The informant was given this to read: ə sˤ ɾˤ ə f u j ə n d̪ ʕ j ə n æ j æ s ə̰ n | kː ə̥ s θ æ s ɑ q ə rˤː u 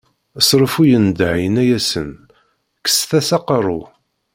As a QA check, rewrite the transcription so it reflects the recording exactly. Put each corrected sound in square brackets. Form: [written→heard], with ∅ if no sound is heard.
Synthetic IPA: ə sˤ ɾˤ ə f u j ə n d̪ ʕ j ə n æ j æ s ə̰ n | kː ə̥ s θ æ s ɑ q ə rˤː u